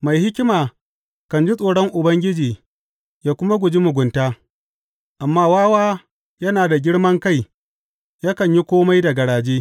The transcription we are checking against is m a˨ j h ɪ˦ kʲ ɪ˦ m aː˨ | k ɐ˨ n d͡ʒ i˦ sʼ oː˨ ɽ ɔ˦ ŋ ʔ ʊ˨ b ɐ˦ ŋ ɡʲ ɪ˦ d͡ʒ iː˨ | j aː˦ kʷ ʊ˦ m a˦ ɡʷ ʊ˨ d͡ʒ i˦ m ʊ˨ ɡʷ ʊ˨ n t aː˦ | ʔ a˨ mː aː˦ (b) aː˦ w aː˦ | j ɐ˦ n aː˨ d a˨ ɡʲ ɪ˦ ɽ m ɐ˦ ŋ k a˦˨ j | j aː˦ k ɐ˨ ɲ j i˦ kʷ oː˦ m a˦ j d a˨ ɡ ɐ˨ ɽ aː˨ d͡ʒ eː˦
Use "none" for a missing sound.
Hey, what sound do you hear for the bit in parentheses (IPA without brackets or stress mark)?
w